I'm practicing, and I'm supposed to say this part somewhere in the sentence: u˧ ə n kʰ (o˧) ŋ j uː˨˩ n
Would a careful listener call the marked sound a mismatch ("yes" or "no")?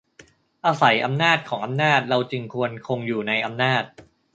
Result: no